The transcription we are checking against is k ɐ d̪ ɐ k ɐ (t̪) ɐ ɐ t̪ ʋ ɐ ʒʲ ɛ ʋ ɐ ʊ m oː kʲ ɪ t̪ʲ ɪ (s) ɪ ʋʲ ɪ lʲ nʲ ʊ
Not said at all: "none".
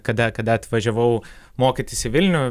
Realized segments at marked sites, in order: d̪, s

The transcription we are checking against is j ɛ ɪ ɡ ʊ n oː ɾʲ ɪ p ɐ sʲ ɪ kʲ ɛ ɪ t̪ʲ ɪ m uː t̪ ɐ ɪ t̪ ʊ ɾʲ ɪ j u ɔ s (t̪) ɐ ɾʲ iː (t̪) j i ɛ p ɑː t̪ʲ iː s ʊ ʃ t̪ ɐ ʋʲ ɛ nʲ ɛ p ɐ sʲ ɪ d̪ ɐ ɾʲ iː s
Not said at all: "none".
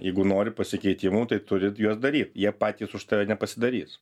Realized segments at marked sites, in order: d̪, t̪

